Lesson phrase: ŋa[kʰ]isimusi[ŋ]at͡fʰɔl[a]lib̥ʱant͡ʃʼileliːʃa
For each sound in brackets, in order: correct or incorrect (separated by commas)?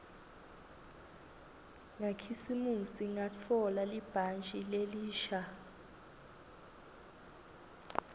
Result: correct, correct, correct